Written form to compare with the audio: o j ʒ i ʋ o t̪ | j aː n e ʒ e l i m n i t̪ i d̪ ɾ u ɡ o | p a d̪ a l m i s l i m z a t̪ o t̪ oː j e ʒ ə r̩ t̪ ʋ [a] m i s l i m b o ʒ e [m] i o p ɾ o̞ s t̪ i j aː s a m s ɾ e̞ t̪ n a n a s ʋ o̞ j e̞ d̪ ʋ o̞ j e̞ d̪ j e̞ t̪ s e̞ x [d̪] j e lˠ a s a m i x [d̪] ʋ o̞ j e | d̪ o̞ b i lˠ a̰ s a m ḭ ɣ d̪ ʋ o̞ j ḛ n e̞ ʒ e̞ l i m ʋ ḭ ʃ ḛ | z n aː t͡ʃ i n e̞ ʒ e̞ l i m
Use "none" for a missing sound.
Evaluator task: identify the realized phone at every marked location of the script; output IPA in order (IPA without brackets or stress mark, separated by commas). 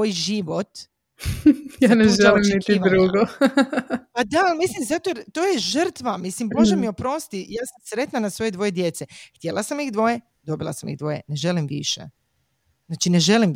a, m, t̪, d̪